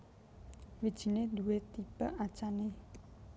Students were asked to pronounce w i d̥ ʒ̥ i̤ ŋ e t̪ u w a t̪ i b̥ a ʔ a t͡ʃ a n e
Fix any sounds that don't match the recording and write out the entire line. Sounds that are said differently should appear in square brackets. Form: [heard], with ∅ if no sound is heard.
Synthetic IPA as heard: w i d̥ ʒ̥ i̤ [n] e [d̪] u w [e] t̪ i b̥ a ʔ a t͡ʃ a n e